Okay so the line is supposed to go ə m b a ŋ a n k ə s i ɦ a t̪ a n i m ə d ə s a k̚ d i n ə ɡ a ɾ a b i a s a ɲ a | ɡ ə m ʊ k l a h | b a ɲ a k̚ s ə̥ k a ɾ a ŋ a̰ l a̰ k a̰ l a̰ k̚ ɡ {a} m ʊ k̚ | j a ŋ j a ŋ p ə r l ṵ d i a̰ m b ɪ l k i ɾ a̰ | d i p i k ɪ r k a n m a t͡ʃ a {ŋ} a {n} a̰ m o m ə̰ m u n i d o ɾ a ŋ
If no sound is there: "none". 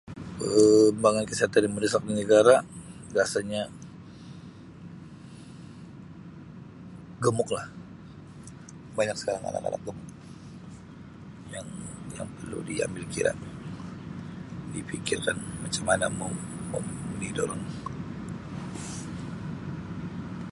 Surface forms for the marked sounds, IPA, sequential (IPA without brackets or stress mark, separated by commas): ə, m, n